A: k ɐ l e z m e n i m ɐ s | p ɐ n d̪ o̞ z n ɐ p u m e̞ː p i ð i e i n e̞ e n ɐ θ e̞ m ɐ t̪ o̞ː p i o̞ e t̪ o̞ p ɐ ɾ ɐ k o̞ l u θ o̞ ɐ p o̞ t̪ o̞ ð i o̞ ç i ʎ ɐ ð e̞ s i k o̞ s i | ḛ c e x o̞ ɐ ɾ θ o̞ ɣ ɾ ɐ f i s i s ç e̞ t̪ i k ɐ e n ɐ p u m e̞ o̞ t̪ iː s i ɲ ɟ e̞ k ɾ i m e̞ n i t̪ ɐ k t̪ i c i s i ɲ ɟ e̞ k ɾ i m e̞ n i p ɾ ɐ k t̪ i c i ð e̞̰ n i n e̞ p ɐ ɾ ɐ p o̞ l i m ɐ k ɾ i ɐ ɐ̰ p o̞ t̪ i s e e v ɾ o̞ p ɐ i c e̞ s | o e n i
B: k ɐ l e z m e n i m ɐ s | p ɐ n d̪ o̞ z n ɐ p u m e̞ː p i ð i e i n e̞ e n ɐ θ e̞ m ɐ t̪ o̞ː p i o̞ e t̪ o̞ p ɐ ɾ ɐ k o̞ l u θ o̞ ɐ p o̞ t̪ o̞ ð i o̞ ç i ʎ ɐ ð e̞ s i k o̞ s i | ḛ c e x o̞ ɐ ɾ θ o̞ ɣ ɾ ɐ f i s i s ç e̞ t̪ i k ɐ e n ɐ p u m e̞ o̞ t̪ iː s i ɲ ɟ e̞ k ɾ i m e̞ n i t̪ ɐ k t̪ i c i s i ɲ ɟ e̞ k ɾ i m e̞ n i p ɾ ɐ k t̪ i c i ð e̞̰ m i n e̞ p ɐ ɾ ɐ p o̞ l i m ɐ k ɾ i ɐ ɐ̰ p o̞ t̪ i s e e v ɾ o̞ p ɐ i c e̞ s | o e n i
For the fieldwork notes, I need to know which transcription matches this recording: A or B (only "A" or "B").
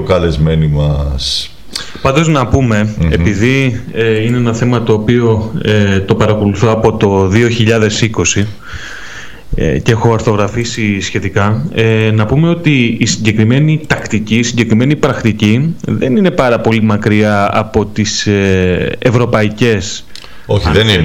A